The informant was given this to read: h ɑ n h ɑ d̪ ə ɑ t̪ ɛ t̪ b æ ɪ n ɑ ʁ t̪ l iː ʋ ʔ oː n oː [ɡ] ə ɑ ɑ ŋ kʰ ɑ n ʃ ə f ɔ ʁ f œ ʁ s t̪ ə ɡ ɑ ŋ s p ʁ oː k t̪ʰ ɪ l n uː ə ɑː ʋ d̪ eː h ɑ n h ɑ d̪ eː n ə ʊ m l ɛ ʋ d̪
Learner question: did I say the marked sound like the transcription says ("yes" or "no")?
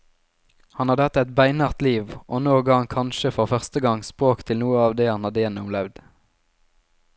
yes